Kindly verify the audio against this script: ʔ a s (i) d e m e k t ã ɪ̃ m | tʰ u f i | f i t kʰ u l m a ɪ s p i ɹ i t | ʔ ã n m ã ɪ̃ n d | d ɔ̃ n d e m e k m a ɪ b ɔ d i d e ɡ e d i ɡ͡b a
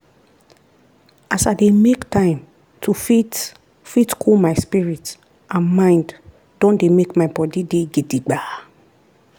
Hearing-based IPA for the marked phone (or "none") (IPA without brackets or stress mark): a